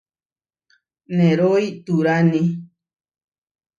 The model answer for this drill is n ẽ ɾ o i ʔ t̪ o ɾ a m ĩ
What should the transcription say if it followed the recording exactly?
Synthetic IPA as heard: n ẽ ɾ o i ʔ t̪ u ɾ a n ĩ